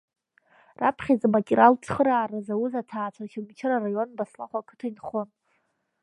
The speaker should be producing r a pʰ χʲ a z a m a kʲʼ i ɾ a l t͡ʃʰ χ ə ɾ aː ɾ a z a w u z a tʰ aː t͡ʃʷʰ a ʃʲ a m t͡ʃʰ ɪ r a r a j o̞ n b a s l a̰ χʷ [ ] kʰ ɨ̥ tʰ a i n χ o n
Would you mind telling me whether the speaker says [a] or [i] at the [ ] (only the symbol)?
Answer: a